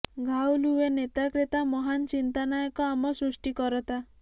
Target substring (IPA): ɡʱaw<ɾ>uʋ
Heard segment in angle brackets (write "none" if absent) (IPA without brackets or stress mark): l